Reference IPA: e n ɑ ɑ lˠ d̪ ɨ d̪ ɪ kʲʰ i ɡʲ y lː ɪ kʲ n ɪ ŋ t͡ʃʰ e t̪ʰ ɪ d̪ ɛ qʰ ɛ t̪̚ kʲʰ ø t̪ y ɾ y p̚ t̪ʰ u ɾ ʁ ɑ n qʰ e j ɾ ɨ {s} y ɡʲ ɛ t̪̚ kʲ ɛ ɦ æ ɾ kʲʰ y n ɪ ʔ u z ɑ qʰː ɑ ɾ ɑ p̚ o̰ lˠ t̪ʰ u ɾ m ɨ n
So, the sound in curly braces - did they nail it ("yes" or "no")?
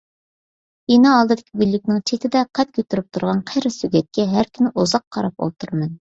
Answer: yes